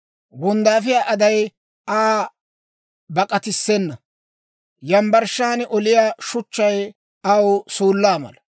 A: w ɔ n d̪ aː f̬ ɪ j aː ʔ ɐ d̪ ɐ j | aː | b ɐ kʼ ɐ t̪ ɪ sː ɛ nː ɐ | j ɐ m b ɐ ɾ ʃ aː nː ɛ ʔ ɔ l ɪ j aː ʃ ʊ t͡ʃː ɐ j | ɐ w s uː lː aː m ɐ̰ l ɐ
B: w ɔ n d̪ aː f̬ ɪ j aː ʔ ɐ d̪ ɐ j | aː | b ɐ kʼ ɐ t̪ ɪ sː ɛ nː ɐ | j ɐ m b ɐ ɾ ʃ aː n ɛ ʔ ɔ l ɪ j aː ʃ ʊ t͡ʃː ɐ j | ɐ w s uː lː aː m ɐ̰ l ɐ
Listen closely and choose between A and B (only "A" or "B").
B